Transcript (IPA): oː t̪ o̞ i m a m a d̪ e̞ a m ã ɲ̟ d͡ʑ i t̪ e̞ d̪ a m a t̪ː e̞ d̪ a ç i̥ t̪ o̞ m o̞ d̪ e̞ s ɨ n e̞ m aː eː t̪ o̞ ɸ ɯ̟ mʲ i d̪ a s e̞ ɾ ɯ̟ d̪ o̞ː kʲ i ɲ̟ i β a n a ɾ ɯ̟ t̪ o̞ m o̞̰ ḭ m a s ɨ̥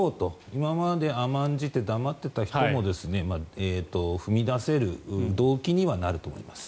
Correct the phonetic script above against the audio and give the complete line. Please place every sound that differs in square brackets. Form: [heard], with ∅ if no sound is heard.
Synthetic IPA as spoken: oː t̪ o̞ i m a m a d̪ e̞ a m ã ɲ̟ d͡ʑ i t̪ e̞ d̪ a m a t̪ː e̞ [t̪] a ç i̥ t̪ o̞ m o̞ d̪ e̞ s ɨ n e̞ m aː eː t̪ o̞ ɸ ɯ̟ mʲ i d̪ a s e̞ ɾ ɯ̟ d̪ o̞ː kʲ i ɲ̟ i β a n a ɾ ɯ̟ t̪ o̞ m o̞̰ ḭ m a s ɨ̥